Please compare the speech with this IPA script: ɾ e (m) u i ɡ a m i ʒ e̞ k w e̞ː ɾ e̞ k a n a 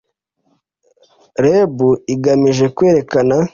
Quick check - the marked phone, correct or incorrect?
incorrect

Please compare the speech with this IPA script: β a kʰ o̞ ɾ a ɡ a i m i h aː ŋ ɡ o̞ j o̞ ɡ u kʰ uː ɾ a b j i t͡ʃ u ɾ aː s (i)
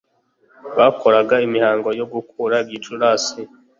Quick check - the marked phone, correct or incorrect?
correct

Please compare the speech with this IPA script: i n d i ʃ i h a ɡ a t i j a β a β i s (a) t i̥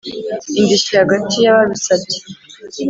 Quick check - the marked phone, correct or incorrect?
correct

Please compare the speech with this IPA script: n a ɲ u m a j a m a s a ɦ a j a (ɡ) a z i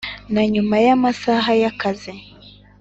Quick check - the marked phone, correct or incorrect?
incorrect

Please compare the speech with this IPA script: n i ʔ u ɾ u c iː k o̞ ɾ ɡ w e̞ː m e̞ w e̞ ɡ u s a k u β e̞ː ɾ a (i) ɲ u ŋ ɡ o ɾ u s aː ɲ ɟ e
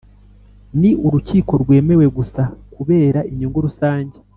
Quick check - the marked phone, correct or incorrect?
correct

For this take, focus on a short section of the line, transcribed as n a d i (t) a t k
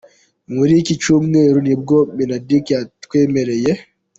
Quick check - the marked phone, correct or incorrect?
incorrect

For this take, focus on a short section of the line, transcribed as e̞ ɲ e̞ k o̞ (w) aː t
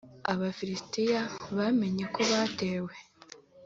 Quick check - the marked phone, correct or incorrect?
incorrect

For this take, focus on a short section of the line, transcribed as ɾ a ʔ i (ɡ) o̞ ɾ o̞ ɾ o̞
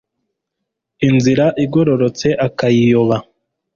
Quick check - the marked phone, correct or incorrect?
correct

